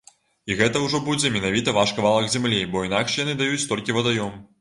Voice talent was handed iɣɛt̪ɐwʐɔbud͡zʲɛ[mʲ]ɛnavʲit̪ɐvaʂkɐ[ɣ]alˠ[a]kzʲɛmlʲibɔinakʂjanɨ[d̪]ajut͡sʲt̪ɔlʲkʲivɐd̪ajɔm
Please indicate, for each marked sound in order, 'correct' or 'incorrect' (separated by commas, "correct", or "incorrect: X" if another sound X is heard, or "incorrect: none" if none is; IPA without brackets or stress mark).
correct, incorrect: v, incorrect: ɐ, correct